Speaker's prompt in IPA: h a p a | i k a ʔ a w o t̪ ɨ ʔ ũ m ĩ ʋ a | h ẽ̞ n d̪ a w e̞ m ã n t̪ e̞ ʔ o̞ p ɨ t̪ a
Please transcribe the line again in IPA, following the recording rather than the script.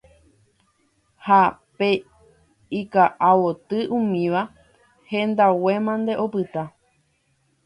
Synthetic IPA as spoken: h a p e | i k a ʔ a w o t̪ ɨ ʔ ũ m ĩ ʋ a | h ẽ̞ n d̪ a w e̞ m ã n d̪ e̞ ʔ o̞ p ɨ t̪ a